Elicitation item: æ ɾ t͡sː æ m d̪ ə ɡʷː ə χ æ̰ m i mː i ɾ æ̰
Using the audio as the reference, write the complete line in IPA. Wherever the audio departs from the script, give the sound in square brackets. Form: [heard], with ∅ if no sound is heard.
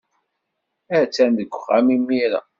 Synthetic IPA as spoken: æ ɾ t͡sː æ [n] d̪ ə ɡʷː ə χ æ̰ m i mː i ɾ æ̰